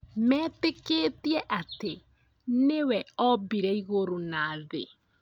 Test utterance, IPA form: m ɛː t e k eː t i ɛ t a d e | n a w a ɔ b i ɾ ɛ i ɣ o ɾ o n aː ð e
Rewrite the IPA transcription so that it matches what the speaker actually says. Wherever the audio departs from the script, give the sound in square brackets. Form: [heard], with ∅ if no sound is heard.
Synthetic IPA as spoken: m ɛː t e k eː t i ɛ [ʔ] a [t] e | n [e] w [ɛ] ɔ b i ɾ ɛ i ɣ o ɾ o n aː ð e